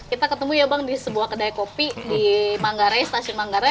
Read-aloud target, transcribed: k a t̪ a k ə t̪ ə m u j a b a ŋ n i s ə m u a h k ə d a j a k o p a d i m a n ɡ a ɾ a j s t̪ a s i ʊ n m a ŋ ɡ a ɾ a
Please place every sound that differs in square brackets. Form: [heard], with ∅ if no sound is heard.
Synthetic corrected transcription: k [i] t̪ a k ə t̪ ə m u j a b a ŋ [d] i s ə [b] u a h k ə d a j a k o p [i] d i m a [ŋ] ɡ a ɾ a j s t̪ a s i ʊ n m a ŋ ɡ a ɾ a